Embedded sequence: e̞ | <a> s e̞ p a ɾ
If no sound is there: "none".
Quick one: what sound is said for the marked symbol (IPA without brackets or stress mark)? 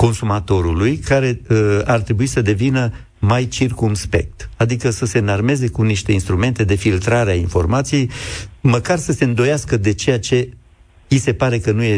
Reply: i